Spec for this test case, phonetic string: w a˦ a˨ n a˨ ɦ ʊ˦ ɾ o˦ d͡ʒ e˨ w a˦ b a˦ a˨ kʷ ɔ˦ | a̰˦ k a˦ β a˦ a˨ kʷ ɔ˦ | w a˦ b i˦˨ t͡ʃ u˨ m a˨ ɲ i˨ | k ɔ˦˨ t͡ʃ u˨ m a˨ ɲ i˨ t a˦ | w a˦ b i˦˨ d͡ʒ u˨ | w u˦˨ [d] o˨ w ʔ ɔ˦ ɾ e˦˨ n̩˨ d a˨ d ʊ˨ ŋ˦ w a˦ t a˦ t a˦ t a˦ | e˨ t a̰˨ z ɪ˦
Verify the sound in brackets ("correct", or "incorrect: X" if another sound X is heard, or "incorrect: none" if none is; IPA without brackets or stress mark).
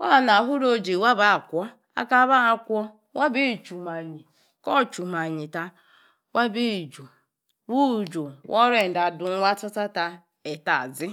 incorrect: d͡ʒ